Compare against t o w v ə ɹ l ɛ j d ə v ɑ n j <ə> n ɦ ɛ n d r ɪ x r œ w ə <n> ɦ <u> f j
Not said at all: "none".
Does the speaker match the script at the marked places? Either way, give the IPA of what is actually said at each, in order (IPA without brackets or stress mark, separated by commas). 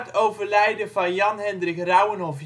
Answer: ɑ, n, ɔ